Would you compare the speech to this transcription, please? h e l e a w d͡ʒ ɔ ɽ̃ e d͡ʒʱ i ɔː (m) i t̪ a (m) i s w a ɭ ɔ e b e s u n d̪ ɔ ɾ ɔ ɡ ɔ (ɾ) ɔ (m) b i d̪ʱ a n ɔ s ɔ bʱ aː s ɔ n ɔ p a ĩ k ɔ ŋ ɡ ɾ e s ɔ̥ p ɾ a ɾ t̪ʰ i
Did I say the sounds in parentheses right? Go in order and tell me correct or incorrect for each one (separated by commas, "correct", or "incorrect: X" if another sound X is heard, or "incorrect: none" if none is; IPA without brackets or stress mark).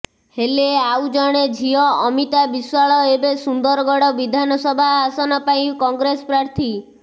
correct, incorrect: b, incorrect: ɽ, incorrect: none